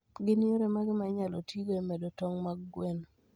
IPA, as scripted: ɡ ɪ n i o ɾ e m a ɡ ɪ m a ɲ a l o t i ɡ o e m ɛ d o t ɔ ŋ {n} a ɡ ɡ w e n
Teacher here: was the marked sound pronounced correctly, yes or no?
no